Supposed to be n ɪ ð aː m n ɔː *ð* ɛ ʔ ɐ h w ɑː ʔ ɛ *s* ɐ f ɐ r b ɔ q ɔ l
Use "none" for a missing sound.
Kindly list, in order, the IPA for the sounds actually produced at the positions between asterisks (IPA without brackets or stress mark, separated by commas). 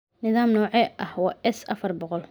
ʕ, s